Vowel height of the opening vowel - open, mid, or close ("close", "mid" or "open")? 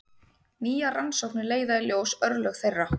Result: close